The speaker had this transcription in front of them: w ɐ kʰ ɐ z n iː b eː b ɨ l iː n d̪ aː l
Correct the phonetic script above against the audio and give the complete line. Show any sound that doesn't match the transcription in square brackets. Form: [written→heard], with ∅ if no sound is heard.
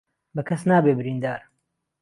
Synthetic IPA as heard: [w→b] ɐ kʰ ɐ [z→s] n [iː→aː] b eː b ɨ [l→ɾ] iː n d̪ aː [l→ɾ]